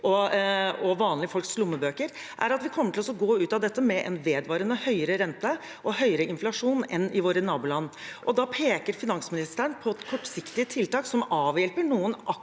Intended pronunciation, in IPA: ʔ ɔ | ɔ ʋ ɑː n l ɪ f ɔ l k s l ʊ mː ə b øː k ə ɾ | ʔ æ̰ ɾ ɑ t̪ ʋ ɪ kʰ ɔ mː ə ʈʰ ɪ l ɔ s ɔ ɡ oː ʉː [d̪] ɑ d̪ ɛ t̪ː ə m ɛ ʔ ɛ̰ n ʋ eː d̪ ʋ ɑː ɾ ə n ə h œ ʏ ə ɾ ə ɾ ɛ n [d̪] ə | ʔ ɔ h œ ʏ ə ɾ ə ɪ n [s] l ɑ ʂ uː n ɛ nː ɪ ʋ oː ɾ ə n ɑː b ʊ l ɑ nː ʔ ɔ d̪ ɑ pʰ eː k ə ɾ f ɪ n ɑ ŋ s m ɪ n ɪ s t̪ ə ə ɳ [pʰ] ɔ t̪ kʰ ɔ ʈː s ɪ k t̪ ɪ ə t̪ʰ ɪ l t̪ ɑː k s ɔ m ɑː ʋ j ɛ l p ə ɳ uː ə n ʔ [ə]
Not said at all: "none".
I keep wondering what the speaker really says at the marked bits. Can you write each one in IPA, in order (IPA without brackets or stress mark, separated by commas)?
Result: t̪, t̪, f, pʰ, ɑ